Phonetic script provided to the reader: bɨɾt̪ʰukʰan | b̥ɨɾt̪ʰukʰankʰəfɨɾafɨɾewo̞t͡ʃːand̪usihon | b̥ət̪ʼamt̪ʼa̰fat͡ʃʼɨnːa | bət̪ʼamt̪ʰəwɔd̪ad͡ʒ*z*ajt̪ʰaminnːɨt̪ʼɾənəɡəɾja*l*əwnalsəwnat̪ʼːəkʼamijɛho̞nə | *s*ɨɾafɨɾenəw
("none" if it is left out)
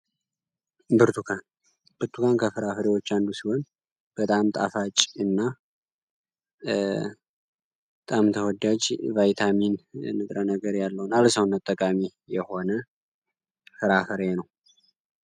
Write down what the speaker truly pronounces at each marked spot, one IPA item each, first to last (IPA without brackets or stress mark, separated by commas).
v, lː, f